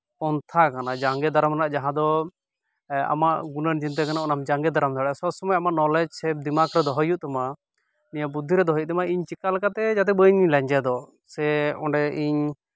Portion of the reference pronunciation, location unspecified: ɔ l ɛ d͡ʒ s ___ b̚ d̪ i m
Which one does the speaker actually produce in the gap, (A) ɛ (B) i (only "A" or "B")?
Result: A